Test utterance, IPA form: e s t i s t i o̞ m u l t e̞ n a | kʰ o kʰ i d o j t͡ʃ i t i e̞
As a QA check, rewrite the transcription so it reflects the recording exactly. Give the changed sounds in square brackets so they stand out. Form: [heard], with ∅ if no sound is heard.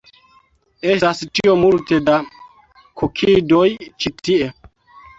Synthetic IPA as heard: e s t [a] s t i o̞ m u l t e̞ [d] a | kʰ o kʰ i d o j t͡ʃ i t i e̞